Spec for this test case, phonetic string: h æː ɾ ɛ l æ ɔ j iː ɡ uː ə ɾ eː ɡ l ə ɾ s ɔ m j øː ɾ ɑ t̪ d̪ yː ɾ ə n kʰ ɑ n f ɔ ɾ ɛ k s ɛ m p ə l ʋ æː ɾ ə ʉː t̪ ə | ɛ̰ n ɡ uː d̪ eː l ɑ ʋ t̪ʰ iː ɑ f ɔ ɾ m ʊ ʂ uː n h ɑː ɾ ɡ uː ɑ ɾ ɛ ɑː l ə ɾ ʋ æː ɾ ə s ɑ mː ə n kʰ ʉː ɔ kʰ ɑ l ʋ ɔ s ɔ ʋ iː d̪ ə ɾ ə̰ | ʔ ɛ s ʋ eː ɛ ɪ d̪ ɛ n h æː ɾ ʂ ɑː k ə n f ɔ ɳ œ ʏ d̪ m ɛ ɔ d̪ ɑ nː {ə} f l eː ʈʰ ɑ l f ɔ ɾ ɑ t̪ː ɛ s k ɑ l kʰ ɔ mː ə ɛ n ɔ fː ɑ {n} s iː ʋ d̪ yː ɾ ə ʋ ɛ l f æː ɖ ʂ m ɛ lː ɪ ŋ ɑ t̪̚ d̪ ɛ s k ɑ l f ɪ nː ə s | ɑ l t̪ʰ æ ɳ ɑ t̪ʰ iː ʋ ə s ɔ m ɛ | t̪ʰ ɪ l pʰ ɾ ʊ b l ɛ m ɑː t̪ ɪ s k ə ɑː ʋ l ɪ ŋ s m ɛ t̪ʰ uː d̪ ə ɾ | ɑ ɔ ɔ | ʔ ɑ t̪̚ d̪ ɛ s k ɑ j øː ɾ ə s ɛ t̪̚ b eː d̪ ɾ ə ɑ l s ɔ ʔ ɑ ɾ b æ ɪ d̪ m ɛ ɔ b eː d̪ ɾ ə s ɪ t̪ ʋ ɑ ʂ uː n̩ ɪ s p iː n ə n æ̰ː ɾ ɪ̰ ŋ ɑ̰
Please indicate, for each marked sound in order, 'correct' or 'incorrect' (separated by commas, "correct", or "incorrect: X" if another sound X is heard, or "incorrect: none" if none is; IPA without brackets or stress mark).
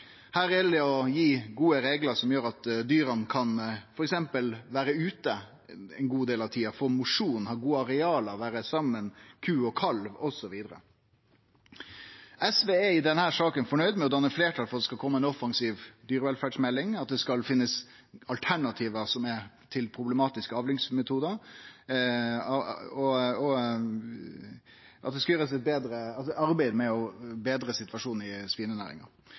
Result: correct, incorrect: ŋ